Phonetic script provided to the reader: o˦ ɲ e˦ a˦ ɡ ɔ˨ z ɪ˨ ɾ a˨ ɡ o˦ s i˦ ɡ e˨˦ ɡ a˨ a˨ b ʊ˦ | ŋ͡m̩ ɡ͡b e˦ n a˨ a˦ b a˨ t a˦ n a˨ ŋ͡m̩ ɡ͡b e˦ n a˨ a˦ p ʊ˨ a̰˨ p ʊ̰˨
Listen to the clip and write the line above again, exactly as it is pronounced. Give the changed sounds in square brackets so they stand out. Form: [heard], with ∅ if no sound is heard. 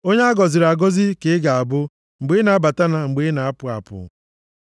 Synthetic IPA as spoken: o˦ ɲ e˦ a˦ ɡ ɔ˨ z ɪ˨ ɾ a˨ ɡ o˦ [z] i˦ [k] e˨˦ ɡ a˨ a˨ b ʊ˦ | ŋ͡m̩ ɡ͡b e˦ n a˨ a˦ b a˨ t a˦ n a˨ ŋ͡m̩ ɡ͡b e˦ n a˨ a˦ p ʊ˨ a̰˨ p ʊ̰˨